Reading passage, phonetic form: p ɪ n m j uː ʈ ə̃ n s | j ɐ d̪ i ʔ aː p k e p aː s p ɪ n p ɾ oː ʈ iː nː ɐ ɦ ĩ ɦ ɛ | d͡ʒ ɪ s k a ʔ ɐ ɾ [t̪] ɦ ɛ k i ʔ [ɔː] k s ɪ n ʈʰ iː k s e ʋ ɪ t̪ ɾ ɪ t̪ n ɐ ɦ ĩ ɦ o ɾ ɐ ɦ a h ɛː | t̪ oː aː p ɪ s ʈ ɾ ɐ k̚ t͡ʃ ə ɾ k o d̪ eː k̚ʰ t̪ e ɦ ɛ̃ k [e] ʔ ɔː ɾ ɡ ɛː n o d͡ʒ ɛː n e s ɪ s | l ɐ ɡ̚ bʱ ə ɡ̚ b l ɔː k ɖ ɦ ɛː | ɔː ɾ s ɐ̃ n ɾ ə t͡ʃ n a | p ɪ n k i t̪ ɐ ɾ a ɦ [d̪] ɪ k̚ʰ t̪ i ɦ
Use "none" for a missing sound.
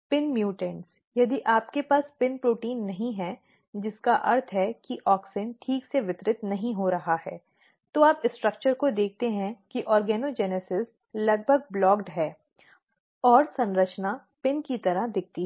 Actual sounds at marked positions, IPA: t̪ʰ, ɔː, i, d̪

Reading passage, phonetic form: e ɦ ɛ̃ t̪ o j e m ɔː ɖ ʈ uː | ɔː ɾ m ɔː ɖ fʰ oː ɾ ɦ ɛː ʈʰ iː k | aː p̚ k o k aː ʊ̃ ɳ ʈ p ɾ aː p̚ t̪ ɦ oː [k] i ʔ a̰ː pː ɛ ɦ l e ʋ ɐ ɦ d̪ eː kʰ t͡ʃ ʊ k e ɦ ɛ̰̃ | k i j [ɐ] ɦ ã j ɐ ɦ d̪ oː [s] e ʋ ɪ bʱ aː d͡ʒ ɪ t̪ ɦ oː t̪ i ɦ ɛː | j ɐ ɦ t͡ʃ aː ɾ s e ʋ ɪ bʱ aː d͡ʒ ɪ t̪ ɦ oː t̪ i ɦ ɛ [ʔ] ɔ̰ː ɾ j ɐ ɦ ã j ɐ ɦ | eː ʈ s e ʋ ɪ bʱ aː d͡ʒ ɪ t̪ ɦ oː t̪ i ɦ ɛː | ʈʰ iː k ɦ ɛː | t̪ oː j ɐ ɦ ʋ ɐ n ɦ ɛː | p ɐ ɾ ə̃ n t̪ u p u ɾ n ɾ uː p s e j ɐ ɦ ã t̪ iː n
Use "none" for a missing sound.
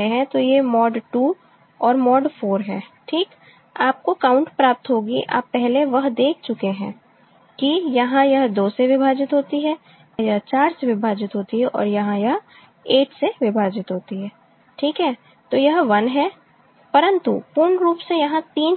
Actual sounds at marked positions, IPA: ɡ, ɐ, s, ʔ

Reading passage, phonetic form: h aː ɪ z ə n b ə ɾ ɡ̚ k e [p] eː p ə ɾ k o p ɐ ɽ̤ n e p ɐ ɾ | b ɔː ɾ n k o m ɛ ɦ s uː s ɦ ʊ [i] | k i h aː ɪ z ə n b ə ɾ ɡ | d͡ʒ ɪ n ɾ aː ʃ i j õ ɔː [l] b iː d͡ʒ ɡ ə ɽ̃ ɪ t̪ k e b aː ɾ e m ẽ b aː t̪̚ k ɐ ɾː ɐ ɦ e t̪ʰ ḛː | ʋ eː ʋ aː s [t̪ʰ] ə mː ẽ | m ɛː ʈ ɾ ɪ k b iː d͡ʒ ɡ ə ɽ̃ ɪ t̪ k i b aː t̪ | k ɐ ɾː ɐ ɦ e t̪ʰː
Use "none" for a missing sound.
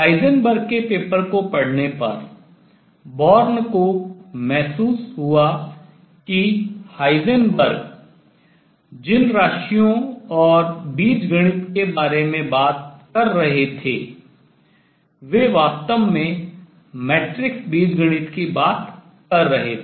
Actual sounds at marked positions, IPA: p, a, ɾ, t̪

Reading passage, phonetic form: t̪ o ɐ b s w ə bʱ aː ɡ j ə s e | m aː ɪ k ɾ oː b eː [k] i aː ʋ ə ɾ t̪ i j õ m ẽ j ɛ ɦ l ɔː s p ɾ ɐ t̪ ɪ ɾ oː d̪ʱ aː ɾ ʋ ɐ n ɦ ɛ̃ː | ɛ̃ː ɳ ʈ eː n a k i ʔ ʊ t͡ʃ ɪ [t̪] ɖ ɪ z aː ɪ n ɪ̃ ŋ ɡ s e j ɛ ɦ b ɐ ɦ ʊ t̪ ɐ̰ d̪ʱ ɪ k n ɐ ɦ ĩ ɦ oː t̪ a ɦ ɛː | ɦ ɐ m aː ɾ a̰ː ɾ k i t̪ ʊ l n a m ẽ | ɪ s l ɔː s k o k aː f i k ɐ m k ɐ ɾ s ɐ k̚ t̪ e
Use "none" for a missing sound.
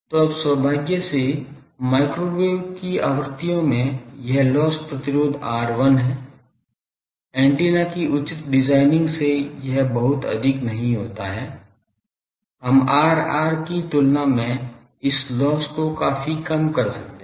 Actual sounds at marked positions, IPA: k, t̪

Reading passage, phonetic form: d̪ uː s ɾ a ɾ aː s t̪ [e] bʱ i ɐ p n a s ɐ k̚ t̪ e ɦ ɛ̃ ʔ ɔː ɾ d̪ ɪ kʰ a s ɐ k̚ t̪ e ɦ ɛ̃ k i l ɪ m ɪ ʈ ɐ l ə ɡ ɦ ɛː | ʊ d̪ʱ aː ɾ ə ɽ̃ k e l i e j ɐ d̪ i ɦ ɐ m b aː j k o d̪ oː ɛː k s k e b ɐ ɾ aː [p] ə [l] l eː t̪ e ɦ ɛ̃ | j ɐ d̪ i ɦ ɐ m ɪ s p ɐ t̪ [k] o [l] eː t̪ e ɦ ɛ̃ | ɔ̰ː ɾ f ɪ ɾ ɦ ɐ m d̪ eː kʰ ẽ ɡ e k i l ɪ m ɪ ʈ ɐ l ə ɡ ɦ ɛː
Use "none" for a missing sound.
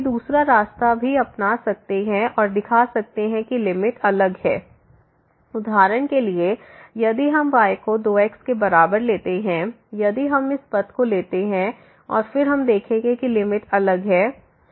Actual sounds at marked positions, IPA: a, b, ɾ, k, l

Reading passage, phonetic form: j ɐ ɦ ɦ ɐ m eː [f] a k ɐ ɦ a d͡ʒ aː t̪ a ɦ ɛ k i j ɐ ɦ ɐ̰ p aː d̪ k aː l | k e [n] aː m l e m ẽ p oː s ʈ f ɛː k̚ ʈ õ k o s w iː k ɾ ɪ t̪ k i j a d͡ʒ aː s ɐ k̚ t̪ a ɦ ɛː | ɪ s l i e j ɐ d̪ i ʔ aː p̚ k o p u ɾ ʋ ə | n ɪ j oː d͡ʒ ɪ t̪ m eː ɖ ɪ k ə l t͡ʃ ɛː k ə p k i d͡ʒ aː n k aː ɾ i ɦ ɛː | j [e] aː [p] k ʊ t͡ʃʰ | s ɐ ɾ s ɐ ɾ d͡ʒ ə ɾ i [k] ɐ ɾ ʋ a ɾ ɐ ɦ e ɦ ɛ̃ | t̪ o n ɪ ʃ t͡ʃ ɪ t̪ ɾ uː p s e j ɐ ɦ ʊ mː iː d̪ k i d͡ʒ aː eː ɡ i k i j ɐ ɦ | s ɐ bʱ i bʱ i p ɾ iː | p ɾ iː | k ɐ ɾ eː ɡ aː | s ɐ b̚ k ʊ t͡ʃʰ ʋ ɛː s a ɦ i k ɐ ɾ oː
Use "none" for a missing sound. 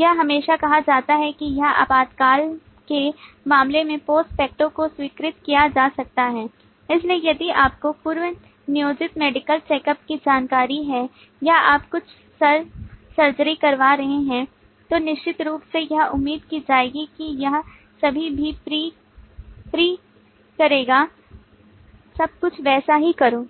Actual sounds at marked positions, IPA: ʃ, m, a, p, k

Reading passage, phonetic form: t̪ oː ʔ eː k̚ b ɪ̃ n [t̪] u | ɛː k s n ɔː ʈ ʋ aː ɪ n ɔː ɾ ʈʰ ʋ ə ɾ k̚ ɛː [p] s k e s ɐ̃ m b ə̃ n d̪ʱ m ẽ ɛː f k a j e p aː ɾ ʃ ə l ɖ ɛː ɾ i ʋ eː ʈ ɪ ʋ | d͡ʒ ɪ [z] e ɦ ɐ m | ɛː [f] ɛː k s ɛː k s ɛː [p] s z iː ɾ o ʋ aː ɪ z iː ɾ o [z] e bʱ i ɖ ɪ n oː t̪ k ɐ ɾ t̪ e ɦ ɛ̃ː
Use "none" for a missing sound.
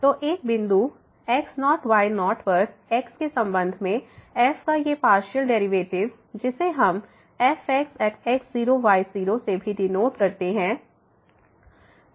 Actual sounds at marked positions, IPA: d̪, k, s, f, k, s

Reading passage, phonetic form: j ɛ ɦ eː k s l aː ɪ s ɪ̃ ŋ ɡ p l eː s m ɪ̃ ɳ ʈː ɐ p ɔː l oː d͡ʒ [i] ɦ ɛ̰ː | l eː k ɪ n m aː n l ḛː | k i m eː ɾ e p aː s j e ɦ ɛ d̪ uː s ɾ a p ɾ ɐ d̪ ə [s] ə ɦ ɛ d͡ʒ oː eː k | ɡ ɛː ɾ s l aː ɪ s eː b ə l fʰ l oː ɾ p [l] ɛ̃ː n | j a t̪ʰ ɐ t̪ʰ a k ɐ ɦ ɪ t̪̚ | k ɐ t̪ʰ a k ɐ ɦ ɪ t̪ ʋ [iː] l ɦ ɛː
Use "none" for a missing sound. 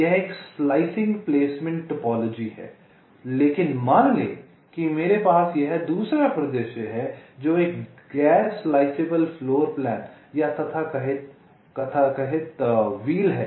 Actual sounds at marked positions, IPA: i, ʃ, l, iː

